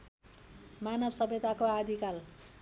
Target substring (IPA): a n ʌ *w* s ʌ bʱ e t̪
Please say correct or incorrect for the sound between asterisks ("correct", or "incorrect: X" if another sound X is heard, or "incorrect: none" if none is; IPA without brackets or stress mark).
incorrect: b